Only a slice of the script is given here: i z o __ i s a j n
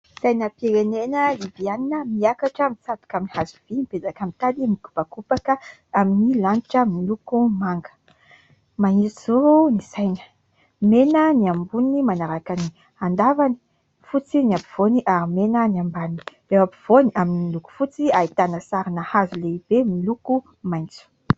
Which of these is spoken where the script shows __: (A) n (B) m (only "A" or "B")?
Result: A